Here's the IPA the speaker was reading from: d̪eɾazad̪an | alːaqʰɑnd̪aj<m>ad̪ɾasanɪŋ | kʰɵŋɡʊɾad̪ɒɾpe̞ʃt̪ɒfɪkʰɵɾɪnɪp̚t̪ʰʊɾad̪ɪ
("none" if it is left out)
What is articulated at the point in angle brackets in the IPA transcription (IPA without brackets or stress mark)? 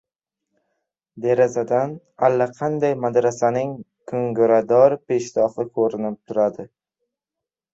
m